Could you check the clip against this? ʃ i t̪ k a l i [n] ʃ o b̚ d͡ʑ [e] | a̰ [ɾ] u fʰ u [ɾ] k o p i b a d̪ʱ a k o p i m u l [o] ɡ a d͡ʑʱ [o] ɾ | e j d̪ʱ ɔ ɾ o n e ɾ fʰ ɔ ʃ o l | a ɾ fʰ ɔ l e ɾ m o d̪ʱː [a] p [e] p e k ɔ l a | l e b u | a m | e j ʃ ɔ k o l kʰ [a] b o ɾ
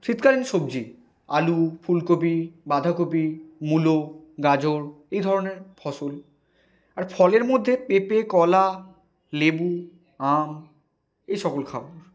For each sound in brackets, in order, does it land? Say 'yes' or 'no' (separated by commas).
yes, no, no, no, yes, yes, no, yes, yes